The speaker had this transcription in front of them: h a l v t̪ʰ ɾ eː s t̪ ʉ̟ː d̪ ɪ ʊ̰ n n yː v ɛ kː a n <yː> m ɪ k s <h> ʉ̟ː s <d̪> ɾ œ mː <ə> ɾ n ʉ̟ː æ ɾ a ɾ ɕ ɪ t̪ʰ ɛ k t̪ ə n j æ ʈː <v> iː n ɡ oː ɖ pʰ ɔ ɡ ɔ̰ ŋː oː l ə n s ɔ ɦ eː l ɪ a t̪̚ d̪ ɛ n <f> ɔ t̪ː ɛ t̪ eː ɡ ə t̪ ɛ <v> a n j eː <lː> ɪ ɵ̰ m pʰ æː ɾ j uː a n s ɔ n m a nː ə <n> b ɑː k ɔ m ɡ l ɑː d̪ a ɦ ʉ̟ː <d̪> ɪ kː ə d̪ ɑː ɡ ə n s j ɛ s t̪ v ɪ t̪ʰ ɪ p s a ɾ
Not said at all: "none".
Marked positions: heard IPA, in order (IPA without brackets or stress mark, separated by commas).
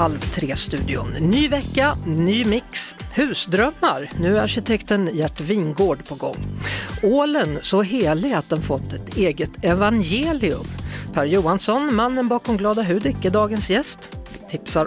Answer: yː, h, d̪, a, v, f, v, l, n, d̪